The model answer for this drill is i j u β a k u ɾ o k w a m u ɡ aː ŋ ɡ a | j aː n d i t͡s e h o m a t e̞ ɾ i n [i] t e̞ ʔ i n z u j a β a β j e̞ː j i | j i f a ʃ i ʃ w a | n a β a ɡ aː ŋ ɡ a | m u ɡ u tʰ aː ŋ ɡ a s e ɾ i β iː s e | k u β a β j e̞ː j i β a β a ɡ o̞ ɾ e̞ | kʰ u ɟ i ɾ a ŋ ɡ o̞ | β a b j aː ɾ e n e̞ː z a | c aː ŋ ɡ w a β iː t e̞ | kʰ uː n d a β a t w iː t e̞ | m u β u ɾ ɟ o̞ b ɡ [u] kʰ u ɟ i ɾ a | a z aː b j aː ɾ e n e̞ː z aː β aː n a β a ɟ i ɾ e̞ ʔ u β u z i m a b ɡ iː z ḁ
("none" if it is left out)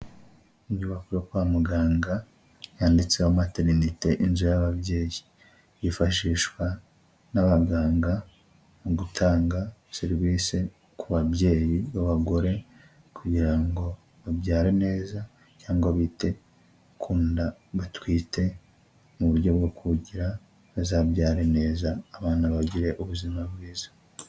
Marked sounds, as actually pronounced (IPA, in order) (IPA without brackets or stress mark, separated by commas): i, o